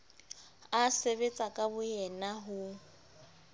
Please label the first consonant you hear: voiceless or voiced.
voiceless